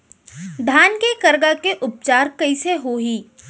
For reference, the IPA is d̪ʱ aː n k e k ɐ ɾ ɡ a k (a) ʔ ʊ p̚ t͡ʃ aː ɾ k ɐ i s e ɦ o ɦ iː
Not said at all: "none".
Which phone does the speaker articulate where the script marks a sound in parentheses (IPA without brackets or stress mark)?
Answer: e